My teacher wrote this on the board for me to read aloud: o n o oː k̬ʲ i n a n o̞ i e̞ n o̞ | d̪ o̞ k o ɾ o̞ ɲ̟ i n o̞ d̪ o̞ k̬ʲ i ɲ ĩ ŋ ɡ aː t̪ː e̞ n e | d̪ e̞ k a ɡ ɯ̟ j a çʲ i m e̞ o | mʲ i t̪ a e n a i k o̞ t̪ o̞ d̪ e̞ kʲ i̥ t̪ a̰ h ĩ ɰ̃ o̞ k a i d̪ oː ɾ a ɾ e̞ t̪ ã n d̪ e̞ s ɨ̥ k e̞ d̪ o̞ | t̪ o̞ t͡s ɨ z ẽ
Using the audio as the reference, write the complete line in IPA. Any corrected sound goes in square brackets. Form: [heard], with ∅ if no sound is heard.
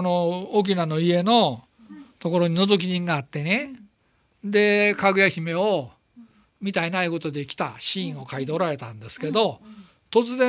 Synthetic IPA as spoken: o n o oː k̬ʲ i n a n o̞ i e̞ n o̞ | [t̪] o̞ k o ɾ o̞ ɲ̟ i n o̞ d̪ o̞ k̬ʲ i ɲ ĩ ŋ ɡ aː t̪ː e̞ n e | d̪ e̞ k a ɡ ɯ̟ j a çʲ i m e̞ o | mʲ i t̪ a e n a i k o̞ t̪ o̞ d̪ e̞ kʲ i̥ t̪ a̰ [ɕ] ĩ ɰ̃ o̞ k a i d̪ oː ɾ a ɾ e̞ t̪ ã n d̪ e̞ s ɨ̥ k e̞ d̪ o̞ | t̪ o̞ t͡s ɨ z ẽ